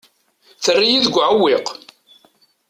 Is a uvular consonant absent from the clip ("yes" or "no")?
no